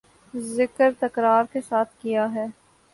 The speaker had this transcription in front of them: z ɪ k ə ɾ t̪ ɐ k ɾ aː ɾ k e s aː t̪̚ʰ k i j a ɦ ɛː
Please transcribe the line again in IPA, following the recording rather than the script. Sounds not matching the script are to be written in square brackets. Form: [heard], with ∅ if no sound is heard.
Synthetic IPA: z ɪ k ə ɾ t̪ ɐ k ɾ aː ɾ k e s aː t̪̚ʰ k i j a ɦ ɛː